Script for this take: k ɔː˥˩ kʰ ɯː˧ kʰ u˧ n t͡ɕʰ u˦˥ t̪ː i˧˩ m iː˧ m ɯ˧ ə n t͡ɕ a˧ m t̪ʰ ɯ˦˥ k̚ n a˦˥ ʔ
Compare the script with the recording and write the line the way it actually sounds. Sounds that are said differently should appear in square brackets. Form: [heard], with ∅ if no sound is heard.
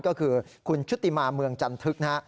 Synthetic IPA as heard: k ɔː˥˩ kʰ ɯː˧ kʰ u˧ n t͡ɕʰ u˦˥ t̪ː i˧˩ m [aː˧] m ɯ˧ ə [ŋ] t͡ɕ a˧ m t̪ʰ ɯ˦˥ k̚ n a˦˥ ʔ